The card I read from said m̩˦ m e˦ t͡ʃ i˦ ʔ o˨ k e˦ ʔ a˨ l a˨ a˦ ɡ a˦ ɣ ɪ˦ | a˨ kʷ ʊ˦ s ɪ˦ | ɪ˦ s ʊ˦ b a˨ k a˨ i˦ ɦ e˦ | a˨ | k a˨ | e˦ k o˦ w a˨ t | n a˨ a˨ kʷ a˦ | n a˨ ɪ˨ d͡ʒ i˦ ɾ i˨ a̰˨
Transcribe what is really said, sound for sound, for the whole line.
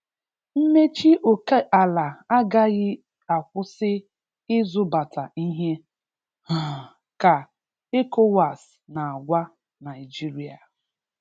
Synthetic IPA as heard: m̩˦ m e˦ t͡ʃ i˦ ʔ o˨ k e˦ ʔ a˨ l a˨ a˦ ɡ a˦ ɣ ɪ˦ | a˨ kʷ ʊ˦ s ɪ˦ | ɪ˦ z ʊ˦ b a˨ t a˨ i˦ ɦ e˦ | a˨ | k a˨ | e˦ k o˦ w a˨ s | n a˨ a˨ ɡʷ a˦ | n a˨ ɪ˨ d͡ʒ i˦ ɾ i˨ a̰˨